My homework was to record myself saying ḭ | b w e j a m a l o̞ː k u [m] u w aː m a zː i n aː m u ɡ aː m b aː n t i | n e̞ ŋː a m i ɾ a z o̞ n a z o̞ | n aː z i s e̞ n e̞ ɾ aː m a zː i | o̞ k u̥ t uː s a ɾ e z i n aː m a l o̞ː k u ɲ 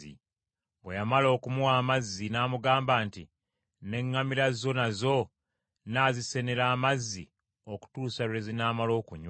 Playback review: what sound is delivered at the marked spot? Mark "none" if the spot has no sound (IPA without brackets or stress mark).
m